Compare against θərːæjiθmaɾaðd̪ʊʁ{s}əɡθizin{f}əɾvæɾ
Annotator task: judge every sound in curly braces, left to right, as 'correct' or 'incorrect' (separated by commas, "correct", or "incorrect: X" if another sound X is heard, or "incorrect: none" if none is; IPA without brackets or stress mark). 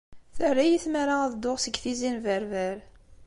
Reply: correct, incorrect: v